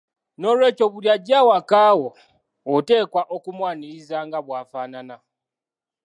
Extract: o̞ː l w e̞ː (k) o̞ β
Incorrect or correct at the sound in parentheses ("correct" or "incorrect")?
incorrect